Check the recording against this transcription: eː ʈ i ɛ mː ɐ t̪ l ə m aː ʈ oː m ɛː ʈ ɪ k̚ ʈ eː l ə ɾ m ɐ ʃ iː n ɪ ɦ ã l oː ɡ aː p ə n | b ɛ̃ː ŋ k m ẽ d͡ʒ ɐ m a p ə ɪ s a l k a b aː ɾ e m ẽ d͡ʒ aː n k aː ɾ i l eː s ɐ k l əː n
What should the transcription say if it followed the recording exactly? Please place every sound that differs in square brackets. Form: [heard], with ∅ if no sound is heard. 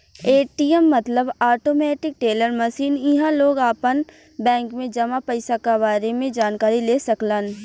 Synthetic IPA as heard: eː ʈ i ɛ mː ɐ t̪ l ə [b] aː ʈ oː m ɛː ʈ ɪ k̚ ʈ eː l ə ɾ m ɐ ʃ iː n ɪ ɦ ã l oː ɡ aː p ə n | b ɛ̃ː ŋ k m ẽ d͡ʒ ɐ m a p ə ɪ s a [∅] k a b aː ɾ e m ẽ d͡ʒ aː n k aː ɾ i l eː s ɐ k l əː n